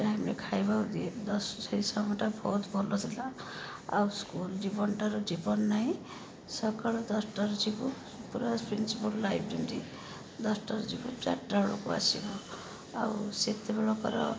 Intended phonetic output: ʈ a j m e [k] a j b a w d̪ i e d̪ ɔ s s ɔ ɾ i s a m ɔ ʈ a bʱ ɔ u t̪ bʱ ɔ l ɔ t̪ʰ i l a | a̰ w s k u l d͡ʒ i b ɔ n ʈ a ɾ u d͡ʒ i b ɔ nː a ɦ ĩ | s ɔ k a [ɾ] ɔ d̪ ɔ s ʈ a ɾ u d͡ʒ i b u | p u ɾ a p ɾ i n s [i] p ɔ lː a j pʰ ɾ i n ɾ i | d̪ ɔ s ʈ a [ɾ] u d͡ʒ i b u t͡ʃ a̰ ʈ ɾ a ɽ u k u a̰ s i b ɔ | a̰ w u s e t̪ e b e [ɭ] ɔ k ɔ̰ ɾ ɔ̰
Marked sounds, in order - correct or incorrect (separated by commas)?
incorrect, incorrect, correct, correct, correct